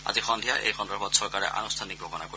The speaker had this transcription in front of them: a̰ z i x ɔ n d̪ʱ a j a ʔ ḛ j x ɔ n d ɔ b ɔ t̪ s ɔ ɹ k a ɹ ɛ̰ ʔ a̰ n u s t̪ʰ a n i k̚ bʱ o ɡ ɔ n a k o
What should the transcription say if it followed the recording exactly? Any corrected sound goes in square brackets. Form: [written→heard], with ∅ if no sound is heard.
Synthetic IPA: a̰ z i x ɔ n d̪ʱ [a→i] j a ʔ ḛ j x ɔ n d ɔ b ɔ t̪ s ɔ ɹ k a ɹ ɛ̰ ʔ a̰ n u s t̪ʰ a n i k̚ bʱ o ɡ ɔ n a k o